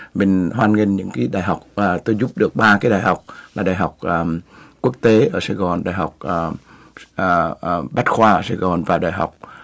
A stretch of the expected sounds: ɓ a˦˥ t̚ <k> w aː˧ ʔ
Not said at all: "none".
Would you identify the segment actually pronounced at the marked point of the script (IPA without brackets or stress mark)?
x